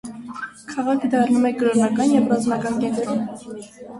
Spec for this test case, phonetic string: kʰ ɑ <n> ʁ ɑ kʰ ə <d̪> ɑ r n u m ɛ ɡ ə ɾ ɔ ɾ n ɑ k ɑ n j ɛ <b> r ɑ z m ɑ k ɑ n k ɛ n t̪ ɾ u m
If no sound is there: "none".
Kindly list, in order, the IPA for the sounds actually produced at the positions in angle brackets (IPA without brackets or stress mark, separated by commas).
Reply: none, d̪, v